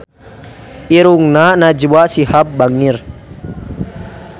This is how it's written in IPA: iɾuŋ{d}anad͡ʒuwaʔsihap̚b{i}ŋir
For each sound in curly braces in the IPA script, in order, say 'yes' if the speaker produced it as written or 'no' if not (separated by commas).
no, no